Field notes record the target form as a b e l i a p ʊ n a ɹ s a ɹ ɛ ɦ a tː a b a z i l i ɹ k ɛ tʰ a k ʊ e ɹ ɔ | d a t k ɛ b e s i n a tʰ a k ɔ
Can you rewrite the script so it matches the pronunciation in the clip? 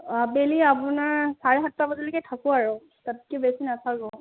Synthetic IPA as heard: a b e l i a p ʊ n a ɹ s a ɹ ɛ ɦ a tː a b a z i l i k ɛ tʰ a k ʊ a ɹ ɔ | t a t k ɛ b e s i n a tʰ a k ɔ